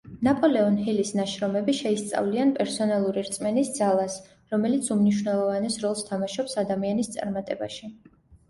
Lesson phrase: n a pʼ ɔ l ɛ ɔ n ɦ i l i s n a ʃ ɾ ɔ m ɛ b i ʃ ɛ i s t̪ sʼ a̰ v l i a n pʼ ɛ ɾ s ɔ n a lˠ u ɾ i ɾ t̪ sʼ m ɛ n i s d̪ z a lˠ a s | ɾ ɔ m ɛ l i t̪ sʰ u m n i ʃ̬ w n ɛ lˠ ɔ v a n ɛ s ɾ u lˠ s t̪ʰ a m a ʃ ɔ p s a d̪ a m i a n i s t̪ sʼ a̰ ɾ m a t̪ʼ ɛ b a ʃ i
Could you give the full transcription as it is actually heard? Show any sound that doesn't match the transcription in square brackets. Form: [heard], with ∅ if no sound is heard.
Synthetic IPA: n a pʼ ɔ l ɛ ɔ n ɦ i l i s n a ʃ ɾ ɔ m ɛ b i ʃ ɛ i s t̪ sʼ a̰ v l i a n pʼ ɛ ɾ s ɔ n a lˠ u ɾ i ɾ t̪ sʼ m ɛ n i s d̪ z a lˠ a s | ɾ ɔ m ɛ l i t̪ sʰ u m n i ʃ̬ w n ɛ lˠ ɔ v a n ɛ s ɾ [ɔ] lˠ s t̪ʰ a m a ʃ ɔ p s a d̪ a m i a n i s t̪ sʼ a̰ ɾ m a t̪ʼ ɛ b a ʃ i